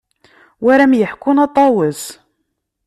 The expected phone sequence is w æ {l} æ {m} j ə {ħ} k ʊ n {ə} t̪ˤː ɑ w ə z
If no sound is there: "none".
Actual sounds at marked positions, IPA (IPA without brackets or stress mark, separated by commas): ɾ, m, ħ, ɑ